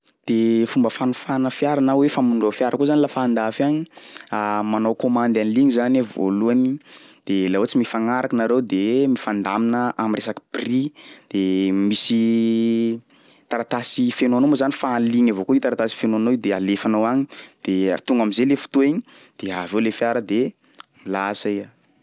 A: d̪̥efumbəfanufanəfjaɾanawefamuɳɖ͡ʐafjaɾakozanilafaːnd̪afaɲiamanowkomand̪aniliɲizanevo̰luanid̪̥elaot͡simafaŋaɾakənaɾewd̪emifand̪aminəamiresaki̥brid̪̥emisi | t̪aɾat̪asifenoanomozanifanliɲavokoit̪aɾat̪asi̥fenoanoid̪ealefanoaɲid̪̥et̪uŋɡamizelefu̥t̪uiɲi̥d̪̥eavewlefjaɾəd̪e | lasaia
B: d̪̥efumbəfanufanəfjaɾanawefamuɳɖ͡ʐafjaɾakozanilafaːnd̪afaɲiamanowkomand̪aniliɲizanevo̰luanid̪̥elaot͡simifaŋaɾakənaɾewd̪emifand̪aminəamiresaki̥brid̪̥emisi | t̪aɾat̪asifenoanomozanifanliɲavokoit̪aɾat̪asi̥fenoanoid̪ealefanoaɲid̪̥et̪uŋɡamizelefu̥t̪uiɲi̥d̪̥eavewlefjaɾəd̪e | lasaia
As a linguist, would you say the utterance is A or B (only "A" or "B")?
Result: B